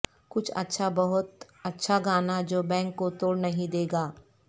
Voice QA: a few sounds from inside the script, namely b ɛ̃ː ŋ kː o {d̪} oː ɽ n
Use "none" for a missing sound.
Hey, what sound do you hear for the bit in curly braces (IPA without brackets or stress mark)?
t̪